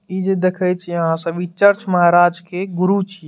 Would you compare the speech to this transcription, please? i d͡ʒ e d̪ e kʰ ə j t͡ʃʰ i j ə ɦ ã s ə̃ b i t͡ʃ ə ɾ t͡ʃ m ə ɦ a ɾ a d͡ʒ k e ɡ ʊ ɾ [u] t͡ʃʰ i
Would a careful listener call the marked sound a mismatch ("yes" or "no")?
no